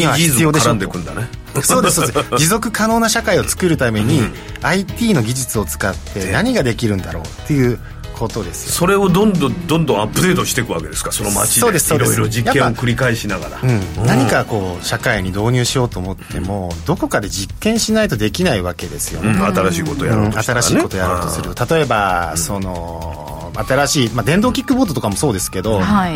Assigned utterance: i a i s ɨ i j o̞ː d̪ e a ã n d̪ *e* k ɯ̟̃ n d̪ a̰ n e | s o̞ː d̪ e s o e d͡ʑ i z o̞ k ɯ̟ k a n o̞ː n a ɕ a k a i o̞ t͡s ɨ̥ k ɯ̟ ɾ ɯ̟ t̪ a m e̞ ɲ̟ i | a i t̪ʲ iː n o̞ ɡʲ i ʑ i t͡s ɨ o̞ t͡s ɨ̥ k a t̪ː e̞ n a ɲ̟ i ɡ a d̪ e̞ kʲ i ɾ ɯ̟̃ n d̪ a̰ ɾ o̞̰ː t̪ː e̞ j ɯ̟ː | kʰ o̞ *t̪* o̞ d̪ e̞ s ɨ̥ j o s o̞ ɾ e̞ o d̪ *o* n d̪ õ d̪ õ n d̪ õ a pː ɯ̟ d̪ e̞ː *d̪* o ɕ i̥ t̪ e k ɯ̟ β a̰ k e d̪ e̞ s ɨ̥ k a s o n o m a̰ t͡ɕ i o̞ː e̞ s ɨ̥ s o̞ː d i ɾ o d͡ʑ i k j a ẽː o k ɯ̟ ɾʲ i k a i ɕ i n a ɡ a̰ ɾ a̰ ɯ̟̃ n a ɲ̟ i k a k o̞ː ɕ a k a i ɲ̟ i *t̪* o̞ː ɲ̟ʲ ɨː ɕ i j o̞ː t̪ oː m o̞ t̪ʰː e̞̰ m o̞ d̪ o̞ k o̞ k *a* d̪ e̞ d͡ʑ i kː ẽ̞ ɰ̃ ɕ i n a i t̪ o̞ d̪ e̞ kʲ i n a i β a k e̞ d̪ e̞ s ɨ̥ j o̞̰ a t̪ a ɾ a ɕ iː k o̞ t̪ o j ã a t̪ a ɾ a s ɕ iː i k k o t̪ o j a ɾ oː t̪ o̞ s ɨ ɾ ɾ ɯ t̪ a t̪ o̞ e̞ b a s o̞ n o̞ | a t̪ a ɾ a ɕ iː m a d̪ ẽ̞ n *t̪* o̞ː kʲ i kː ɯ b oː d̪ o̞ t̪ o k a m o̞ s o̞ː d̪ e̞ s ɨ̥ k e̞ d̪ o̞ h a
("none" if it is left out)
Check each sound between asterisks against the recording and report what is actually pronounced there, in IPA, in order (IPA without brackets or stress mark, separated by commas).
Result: e, t̪, õ, t̪, d̪, a, d̪